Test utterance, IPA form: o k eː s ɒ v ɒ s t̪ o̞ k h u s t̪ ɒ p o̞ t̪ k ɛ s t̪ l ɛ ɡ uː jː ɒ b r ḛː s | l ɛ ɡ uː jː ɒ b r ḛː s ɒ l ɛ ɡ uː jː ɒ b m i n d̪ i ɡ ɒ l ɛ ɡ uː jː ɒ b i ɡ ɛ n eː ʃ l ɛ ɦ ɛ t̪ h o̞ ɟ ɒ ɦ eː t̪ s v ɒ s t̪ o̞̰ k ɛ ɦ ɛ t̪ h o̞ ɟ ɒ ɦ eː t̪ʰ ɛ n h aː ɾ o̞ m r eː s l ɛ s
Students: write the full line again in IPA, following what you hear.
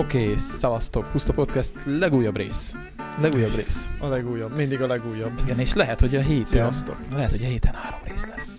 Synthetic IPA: o k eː s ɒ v ɒ s t̪ o̞ k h u s t̪ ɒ p o̞ t̪ k ɛ s t̪ l ɛ ɡ uː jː ɒ b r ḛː s | l ɛ ɡ uː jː ɒ b r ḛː s ɒ l ɛ ɡ uː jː ɒ b m i n d̪ i ɡ ɒ l ɛ ɡ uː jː ɒ b i ɡ ɛ n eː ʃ l ɛ ɦ ɛ t̪ h o̞ ɟ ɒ ɦ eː t̪ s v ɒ s t̪ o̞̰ k ɛ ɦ ɛ t̪ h o̞ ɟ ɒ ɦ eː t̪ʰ ɛ n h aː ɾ o̞ m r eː s l ɛ s